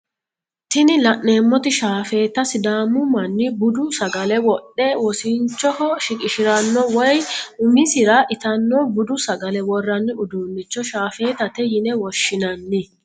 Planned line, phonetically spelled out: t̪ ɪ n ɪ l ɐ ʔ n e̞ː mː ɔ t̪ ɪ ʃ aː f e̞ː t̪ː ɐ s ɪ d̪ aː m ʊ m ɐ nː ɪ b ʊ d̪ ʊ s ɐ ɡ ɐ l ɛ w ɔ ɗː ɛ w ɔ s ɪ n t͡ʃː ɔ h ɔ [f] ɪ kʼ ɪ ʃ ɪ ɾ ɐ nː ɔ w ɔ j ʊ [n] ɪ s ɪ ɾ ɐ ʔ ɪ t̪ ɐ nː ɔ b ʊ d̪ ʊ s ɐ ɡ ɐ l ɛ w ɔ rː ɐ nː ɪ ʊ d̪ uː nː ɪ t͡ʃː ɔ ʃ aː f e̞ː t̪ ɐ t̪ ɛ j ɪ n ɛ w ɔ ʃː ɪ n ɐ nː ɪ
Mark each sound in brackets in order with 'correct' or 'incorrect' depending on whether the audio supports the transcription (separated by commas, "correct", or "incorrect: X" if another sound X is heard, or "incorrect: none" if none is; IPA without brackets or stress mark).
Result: incorrect: ʃ, incorrect: m